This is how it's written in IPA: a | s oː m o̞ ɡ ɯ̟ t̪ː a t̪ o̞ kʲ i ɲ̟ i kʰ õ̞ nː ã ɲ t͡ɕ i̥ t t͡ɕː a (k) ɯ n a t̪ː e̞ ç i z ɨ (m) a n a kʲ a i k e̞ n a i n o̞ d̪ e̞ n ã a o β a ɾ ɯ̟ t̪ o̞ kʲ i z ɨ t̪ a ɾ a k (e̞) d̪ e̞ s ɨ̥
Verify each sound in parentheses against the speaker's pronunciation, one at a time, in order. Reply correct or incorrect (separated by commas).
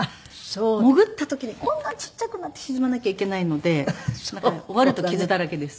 correct, correct, correct